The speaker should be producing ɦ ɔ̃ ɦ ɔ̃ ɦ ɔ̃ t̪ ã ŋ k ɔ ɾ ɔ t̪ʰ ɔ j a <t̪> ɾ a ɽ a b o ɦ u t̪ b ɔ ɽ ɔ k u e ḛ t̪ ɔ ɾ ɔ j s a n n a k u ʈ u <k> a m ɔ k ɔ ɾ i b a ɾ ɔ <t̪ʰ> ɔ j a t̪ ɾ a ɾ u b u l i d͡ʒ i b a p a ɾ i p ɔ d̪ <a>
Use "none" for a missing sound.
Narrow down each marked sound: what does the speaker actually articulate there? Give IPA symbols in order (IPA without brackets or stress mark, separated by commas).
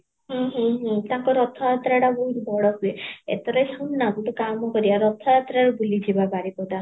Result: t̪, k, t̪ʰ, a